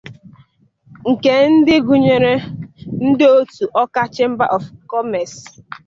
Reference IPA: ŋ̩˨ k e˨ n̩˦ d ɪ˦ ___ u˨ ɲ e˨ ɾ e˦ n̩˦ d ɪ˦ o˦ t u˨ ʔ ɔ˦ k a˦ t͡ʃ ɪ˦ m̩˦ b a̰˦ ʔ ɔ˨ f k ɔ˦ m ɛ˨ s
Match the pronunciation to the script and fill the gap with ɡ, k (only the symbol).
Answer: ɡ